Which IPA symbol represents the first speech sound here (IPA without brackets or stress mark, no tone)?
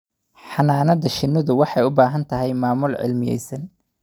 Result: ħ